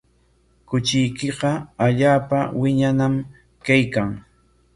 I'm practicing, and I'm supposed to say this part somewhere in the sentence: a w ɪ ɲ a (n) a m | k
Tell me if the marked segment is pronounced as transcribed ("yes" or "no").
yes